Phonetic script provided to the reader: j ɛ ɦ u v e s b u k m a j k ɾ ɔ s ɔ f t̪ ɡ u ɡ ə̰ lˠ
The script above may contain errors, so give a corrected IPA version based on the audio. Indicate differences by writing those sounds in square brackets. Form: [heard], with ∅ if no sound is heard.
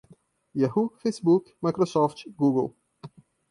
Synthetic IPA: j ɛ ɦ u [f] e s b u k m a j k ɾ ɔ s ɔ f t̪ ɡ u ɡ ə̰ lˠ